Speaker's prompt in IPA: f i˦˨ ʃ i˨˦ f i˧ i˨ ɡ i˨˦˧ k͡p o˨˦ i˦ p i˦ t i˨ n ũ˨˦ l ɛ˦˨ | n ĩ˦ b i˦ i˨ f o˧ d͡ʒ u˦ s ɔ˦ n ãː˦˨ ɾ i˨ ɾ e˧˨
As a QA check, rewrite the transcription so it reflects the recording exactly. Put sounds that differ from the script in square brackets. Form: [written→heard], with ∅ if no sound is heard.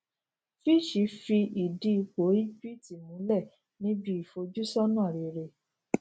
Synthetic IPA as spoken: f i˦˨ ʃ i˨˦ f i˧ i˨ [ɡ→d] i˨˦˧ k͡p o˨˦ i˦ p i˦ t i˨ [n→m] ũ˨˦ l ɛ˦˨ | n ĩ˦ b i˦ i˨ f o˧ d͡ʒ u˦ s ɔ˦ n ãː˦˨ ɾ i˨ ɾ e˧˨